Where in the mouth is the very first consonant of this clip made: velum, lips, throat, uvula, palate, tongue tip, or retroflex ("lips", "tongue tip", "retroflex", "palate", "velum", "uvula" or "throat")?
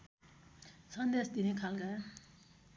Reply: tongue tip